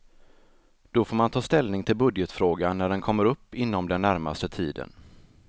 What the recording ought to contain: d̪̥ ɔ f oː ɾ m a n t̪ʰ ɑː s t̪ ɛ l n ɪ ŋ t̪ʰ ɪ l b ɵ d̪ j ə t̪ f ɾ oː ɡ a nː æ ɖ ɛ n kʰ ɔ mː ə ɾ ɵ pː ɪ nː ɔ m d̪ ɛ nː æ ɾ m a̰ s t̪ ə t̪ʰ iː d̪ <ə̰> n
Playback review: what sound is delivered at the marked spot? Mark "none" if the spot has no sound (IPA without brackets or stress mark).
ə̰